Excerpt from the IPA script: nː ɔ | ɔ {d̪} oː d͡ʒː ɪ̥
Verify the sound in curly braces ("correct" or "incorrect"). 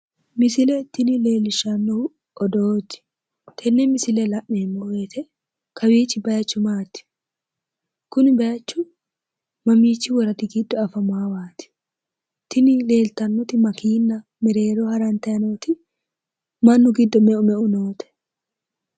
correct